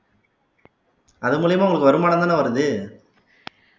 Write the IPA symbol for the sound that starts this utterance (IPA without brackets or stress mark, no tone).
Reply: ɐ